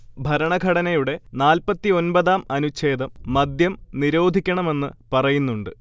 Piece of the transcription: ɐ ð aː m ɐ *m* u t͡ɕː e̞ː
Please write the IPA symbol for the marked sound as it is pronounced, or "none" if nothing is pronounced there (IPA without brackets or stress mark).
n